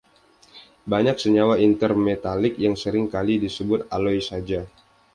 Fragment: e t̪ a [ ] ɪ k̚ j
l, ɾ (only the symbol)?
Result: l